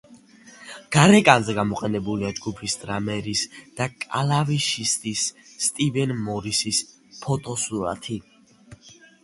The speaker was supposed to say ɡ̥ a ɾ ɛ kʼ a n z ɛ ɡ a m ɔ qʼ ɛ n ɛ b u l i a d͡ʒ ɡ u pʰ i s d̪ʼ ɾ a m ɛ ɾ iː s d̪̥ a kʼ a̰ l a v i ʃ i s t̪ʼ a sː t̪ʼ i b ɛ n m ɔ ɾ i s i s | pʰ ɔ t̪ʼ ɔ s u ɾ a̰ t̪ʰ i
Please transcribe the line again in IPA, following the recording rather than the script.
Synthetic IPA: ɡ̥ a ɾ ɛ kʼ a n z ɛ ɡ a m ɔ qʼ ɛ n ɛ b u l i a d͡ʒ ɡ u pʰ i s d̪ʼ ɾ a m ɛ ɾ i s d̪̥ a kʼ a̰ l a v i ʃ i s t̪ʼ i sː t̪ʼ i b ɛ n m ɔ ɾ i s i s | pʰ ɔ t̪ʼ ɔ s u ɾ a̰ t̪ʰ i